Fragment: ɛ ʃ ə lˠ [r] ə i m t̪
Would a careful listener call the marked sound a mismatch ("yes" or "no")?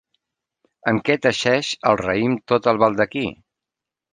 no